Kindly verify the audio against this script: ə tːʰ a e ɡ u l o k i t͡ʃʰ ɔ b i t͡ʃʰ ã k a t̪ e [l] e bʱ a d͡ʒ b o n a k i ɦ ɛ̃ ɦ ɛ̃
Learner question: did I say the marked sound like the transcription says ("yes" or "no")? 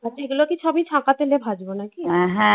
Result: yes